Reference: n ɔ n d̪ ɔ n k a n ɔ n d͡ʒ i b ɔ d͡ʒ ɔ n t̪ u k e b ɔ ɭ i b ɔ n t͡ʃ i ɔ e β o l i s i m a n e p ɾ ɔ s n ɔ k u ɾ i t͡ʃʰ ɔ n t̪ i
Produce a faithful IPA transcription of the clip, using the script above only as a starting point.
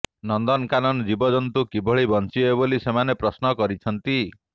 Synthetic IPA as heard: n ɔ n d̪ ɔ n k a n ɔ n d͡ʒ i b ɔ d͡ʒ ɔ n t̪ u k i b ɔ ɭ i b ɔ n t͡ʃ i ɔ e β o l i s e m a n e p ɾ ɔ s n ɔ k ɔ ɾ i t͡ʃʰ ɔ n t̪ i